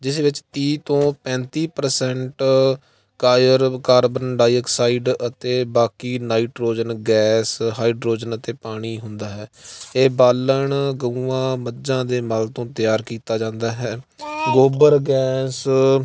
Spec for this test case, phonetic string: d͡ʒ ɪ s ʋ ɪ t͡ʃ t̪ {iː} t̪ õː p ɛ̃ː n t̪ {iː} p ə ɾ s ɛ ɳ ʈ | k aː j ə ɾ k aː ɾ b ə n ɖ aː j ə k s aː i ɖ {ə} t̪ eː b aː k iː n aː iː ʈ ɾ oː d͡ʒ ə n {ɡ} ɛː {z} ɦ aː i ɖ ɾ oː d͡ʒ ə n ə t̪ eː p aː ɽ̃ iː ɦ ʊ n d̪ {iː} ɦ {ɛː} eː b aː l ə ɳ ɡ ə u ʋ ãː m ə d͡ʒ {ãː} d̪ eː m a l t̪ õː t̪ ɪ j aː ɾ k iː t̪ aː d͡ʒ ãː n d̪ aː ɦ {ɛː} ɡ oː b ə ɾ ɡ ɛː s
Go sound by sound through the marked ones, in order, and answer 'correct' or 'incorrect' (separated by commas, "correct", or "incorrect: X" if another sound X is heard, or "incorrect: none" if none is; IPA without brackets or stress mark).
correct, correct, correct, correct, incorrect: s, incorrect: aː, correct, correct, correct